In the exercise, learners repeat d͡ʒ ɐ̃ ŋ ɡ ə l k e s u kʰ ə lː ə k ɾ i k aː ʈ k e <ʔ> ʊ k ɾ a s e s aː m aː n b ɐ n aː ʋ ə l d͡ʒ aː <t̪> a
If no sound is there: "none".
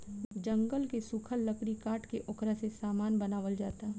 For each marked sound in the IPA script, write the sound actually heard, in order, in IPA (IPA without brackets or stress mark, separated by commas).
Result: ʔ, t̪